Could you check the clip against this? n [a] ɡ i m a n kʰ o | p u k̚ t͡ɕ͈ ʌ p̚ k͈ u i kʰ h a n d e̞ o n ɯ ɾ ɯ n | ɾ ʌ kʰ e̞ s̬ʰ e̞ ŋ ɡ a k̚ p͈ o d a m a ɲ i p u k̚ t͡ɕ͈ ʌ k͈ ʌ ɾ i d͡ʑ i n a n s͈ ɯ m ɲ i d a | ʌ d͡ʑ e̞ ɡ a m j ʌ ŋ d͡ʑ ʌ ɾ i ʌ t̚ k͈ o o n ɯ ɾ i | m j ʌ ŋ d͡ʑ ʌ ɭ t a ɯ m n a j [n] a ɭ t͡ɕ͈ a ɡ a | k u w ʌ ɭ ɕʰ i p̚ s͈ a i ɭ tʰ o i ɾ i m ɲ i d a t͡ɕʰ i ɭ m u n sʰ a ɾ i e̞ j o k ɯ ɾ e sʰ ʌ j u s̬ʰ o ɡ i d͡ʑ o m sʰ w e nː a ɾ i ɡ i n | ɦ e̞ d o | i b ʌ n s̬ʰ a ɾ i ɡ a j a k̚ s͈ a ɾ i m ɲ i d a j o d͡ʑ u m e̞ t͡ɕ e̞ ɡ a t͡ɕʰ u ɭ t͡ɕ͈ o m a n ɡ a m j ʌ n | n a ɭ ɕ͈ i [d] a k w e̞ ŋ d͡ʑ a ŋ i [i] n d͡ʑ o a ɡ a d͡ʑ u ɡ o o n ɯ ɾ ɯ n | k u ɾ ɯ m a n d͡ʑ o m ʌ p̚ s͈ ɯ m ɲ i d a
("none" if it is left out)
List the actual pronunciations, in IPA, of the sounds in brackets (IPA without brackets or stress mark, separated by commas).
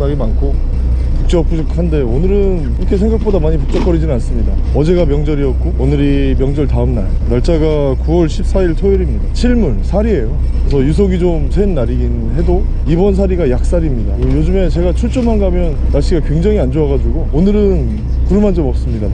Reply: a, n, ɡ, a